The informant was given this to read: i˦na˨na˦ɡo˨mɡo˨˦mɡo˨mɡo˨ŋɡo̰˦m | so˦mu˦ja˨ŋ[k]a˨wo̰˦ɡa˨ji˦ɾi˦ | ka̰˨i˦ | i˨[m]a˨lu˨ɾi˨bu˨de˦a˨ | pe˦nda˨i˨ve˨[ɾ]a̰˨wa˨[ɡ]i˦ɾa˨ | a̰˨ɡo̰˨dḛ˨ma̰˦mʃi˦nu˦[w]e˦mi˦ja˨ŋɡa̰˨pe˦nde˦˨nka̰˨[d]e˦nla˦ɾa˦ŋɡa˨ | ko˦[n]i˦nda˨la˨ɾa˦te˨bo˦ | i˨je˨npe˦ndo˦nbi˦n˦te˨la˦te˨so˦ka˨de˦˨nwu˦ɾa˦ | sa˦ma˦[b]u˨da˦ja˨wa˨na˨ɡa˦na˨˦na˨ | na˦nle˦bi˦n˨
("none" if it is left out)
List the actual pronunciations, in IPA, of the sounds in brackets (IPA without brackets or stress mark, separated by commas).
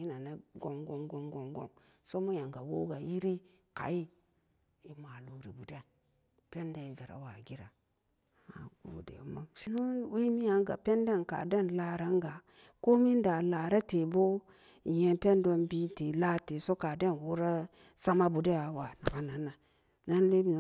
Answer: ɡ, m, ɾ, ɡ, w, d, m, b